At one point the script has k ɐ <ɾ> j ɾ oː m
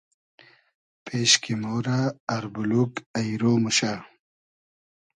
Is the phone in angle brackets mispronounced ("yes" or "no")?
yes